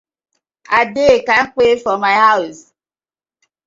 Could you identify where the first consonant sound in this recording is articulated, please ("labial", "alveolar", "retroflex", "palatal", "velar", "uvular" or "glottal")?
alveolar